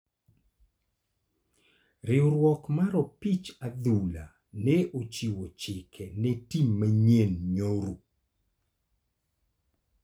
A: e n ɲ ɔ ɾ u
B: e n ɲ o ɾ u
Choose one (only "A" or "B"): B